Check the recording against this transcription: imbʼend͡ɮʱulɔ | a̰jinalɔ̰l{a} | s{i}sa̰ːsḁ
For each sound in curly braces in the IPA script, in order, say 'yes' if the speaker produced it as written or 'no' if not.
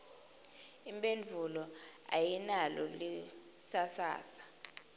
no, no

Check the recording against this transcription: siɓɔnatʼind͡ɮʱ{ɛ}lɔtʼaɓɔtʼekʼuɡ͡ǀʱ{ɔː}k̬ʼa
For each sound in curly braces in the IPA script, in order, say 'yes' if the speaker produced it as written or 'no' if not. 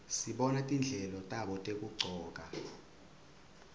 yes, yes

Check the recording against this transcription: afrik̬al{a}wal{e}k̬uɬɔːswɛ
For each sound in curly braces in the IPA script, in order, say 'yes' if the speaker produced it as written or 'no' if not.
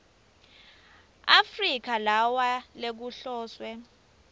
yes, yes

